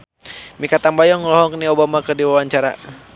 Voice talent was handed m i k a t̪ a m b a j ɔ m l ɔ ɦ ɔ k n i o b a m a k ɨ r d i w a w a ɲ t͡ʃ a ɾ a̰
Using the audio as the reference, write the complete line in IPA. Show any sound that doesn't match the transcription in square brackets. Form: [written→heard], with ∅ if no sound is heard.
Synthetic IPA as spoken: m i k a t̪ a m b a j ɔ [m→ŋ] l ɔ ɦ ɔ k n i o b a m a k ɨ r d i w a w a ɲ t͡ʃ a ɾ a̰